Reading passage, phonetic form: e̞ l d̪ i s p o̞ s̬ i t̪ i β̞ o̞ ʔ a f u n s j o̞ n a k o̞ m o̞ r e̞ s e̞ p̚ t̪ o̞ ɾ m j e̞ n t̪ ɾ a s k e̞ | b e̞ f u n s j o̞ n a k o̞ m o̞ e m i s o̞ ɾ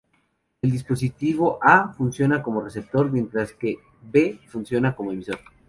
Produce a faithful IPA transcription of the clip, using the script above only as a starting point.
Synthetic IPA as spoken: e̞ l d̪ i s p o̞ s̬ i t̪ i β̞ o̞ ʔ a f u n s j o̞ n a k o̞ m o̞ r e̞ s e̞ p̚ t̪ o̞ ɾ m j e̞ n t̪ ɾ a s k e̞ | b e̞ f u n s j o̞ n a k o̞ m o̞ e m i s o̞ ɾ

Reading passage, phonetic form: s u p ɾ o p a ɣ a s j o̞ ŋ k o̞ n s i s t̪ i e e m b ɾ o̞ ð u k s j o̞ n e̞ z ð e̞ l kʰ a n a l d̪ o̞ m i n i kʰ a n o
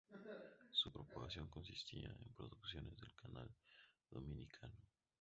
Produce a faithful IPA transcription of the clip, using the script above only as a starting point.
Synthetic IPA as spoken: s u p ɾ o p a ɣ a s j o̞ ŋ k o̞ n s i s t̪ i a e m p ɾ o̞ ð u k s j o̞ n e̞ z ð e̞ l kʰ a n a l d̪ o̞ m i n i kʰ a n o

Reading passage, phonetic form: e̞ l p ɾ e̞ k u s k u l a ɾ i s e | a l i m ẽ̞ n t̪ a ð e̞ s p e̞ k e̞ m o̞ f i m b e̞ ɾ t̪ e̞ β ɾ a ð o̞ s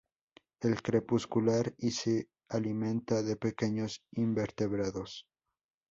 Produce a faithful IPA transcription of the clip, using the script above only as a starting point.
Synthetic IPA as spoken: e̞ l k ɾ e̞ p u s k u l a ɾ i s e | a l i m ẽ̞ n t̪ a ð e̞ p e̞ k e̞ ɲ o̞ s i m b e̞ ɾ t̪ e̞ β ɾ a ð o̞ s

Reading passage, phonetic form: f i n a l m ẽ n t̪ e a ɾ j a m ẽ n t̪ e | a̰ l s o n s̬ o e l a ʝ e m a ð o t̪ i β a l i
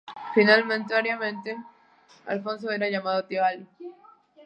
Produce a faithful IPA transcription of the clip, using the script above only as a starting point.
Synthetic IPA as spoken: f i n a l m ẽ n t̪ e a ɾ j a m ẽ n t̪ e | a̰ l f o n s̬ o e ɾ a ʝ a m a ð o t̪ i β a l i

